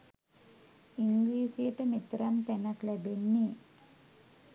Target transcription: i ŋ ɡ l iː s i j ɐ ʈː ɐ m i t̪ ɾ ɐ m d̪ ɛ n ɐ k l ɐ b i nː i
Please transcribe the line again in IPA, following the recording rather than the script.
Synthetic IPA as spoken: i ŋ ɡ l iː s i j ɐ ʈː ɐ m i t̪ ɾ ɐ m t̪ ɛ n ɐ k l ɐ b e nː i